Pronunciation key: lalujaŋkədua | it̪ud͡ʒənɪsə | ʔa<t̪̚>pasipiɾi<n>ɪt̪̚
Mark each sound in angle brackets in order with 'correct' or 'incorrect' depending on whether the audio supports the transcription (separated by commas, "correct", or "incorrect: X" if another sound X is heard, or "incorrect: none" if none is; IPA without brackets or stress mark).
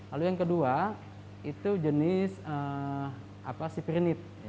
incorrect: none, correct